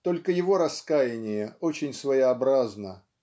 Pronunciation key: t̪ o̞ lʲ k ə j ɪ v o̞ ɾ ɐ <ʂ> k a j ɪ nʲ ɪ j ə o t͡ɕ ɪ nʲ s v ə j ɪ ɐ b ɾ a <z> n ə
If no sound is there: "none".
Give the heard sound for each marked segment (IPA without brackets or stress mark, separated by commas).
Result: s, z